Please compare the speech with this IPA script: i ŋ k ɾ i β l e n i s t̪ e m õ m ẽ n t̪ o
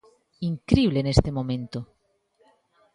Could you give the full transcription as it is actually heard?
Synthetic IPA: i ŋ k ɾ i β l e n e s t̪ e m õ m ẽ n t̪ o